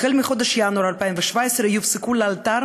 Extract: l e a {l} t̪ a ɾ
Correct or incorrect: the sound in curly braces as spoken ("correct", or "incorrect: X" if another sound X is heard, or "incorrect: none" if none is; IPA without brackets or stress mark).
correct